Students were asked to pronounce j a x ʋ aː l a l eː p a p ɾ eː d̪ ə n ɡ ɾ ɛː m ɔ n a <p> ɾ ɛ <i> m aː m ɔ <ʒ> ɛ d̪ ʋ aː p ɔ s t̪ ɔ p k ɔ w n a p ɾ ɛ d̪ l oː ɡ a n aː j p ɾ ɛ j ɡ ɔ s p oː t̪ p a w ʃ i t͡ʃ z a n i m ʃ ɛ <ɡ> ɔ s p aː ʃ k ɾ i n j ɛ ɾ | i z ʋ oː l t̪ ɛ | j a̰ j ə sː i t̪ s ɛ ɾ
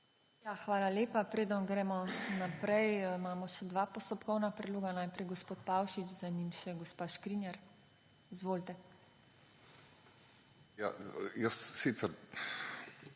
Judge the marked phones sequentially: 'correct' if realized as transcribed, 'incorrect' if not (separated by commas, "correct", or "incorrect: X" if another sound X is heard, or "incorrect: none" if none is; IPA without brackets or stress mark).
correct, incorrect: j, incorrect: ʃ, correct